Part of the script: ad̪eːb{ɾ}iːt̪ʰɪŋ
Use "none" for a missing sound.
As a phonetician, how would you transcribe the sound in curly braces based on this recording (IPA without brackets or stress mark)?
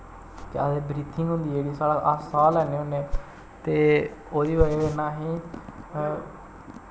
ɾ